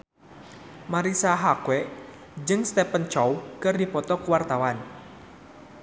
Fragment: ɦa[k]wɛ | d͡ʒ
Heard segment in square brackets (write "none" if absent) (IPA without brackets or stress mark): k